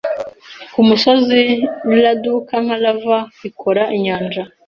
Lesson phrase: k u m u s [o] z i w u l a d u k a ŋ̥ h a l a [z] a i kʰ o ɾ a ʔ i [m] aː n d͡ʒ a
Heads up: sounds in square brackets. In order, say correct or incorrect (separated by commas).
correct, incorrect, incorrect